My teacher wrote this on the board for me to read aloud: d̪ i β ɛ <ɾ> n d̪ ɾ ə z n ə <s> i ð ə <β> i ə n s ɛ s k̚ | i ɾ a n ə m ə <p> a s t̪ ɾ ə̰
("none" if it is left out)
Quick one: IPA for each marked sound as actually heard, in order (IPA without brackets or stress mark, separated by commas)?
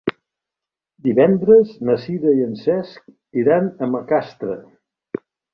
none, s, none, k